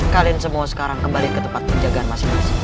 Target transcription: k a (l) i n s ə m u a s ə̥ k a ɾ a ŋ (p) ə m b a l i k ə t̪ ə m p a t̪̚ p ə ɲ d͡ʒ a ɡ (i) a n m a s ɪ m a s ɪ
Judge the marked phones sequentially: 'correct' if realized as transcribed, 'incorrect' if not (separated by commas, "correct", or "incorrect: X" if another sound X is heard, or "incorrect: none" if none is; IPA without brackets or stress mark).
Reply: correct, incorrect: k, incorrect: a